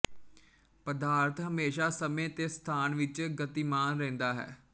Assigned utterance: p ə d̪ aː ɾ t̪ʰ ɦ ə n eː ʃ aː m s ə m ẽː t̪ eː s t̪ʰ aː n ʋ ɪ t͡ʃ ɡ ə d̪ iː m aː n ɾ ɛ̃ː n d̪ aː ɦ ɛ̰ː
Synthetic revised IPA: p ə d̪ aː ɾ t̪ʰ ɦ ə m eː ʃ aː s ə m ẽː t̪ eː s t̪ʰ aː n ʋ ɪ t͡ʃ ɡ ə t̪ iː m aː n ɾ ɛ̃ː n d̪ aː ɦ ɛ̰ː